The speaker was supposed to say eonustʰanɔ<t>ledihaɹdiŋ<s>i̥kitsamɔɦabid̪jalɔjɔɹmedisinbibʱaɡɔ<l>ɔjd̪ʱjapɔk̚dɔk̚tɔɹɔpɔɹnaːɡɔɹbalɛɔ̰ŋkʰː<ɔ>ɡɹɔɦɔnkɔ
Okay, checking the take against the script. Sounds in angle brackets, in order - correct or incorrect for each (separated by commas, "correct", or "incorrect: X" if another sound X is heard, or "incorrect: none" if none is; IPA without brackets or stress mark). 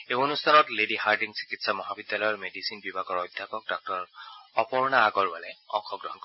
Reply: correct, correct, incorrect: ɹ, correct